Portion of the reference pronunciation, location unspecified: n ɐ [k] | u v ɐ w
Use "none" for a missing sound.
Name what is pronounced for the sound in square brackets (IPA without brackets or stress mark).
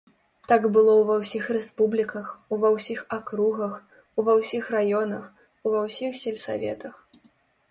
x